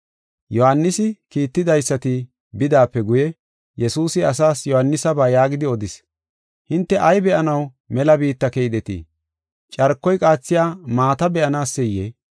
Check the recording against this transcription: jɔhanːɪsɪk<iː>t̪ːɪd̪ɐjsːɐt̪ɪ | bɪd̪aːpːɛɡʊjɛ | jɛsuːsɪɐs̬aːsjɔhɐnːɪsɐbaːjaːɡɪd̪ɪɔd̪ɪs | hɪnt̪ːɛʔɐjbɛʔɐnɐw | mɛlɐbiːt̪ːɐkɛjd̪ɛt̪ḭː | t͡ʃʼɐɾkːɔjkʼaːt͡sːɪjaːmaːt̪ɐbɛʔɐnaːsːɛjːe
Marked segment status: correct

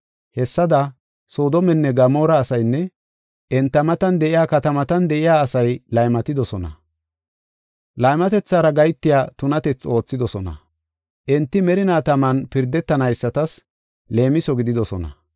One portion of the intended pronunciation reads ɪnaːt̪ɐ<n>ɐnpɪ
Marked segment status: incorrect: m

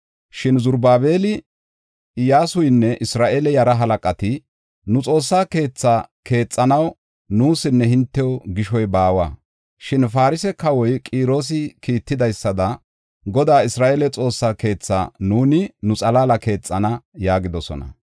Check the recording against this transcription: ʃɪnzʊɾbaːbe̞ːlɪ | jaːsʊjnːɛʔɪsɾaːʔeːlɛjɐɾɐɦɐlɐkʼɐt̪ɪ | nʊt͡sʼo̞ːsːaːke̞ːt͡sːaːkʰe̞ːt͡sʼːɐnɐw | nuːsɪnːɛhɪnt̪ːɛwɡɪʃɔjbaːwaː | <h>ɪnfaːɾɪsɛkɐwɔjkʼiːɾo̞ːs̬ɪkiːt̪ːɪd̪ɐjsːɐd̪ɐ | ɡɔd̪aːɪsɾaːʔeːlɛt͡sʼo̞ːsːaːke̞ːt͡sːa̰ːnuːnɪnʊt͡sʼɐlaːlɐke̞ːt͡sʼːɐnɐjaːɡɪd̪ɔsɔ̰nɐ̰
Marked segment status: incorrect: ʃ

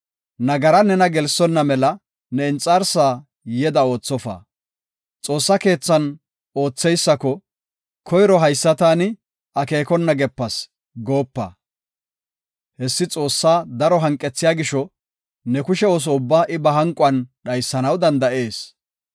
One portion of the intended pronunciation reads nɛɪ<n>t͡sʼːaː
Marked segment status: correct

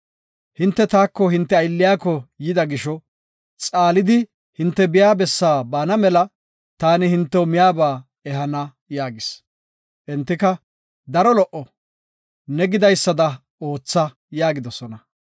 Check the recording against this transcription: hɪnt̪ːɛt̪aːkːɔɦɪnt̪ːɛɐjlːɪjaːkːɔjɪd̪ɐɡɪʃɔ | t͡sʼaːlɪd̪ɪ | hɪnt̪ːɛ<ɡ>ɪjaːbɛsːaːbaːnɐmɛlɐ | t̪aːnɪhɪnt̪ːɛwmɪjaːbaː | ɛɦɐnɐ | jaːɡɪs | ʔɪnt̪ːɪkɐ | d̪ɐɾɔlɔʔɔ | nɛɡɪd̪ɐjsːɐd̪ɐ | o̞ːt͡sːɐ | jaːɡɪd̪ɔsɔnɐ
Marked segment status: incorrect: b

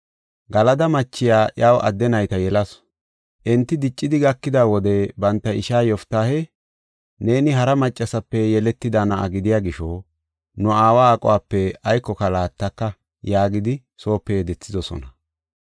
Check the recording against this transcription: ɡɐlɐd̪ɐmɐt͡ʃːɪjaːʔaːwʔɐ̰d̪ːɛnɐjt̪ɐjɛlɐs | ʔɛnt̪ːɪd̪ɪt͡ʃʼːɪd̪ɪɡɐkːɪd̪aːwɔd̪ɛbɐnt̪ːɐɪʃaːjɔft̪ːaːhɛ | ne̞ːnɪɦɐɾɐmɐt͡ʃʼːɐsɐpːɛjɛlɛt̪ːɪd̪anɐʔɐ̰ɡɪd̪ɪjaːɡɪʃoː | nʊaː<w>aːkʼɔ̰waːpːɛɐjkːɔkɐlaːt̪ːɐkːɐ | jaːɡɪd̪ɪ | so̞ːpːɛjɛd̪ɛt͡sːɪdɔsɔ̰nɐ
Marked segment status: correct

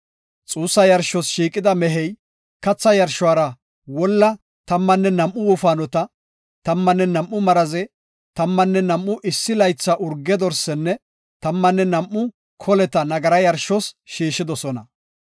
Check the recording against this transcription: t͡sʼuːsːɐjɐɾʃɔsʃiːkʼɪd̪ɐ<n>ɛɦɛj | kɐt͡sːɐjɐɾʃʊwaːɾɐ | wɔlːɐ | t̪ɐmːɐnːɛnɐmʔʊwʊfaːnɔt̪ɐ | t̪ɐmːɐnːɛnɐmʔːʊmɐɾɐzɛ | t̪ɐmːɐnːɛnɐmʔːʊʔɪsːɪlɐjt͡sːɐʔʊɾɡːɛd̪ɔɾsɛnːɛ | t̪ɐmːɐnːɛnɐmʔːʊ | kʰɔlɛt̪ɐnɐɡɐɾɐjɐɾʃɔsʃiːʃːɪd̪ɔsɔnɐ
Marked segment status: incorrect: m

